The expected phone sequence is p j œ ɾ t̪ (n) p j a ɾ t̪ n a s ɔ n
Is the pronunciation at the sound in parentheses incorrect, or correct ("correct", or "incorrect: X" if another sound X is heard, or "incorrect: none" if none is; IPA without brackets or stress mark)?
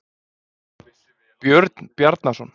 correct